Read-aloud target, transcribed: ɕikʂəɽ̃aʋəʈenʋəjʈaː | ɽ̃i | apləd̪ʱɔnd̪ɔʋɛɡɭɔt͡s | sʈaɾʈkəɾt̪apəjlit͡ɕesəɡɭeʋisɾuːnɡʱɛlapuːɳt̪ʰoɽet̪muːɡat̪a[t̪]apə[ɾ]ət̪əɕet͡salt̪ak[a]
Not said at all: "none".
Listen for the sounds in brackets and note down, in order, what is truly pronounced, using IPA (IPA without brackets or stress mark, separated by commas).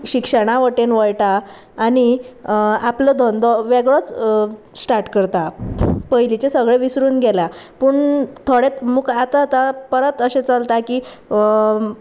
t̪, ɾ, i